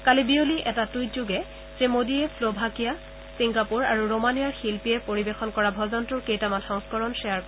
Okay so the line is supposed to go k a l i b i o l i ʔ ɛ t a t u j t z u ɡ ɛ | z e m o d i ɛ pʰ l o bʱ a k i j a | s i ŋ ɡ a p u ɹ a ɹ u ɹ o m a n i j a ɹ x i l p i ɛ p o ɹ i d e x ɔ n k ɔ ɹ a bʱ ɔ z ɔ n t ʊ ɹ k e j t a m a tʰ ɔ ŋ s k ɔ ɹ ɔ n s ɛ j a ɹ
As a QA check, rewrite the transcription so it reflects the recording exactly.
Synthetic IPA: k a l i b i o l i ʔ ɛ t a t u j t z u ɡ ɛ | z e m o d i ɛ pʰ l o bʱ a k i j a | s i ŋ ɡ a p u ɹ a ɹ u ɹ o m a n i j a ɹ x i l p i ɛ p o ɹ i b e x ɔ n k ɔ ɹ a bʱ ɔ z ɔ n t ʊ ɹ k e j t a m a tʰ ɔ ŋ s k ɔ ɹ ɔ n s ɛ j a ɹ